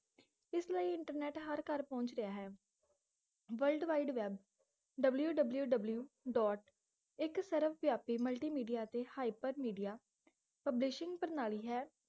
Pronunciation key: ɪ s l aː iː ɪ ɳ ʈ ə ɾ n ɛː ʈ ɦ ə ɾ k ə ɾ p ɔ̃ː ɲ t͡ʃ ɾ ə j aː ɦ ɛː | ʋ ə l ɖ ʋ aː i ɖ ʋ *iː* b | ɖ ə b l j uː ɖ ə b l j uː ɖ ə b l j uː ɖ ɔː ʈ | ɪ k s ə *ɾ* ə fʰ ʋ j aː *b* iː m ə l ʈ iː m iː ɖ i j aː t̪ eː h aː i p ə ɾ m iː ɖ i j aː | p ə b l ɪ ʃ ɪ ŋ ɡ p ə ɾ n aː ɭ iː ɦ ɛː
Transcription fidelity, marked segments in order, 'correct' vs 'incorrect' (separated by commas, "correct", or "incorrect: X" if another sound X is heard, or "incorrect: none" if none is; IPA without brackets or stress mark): incorrect: ɛː, correct, incorrect: p